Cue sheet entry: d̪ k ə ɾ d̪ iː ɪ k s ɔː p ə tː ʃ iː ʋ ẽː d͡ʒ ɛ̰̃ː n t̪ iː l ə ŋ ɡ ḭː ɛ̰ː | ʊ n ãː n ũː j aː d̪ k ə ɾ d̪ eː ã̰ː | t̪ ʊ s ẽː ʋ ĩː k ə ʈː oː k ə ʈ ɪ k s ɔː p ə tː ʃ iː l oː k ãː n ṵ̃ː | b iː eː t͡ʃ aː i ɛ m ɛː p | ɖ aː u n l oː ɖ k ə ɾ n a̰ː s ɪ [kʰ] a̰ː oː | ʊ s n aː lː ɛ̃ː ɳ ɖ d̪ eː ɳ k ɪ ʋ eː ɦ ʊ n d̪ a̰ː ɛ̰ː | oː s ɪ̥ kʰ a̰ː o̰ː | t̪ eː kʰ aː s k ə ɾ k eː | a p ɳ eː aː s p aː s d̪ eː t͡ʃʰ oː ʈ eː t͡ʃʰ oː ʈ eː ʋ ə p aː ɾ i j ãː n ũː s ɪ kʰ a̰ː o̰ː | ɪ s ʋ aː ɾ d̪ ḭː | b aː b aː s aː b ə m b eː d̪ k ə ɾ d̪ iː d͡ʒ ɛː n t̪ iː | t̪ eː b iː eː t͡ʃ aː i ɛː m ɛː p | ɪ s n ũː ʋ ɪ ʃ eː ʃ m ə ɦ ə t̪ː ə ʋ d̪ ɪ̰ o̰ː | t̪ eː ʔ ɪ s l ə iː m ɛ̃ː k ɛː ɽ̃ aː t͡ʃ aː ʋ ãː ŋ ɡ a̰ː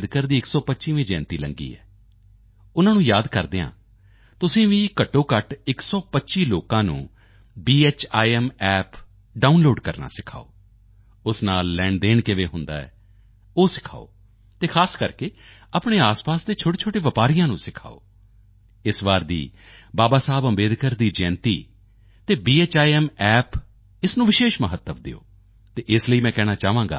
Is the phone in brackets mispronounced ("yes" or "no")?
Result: no